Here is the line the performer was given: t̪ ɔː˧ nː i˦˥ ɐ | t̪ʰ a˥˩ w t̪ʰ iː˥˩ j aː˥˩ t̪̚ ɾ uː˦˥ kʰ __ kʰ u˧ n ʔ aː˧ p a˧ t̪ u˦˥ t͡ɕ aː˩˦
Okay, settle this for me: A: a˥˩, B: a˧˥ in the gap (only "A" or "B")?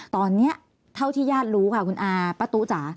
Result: A